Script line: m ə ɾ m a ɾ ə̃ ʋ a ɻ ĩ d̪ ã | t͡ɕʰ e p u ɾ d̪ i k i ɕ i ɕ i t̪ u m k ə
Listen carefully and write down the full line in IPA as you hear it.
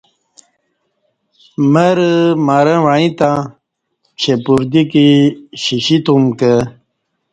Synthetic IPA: m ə ɾ m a ɾ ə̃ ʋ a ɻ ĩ t̪ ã | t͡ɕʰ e p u ɾ d̪ i k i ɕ i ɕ i t̪ u m k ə